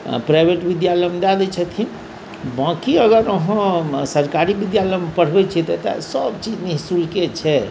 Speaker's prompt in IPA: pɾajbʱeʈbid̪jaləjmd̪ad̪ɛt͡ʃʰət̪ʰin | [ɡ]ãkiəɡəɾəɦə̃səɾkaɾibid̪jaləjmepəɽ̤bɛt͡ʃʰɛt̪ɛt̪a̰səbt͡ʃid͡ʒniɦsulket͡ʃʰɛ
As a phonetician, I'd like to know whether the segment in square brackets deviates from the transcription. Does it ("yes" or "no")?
yes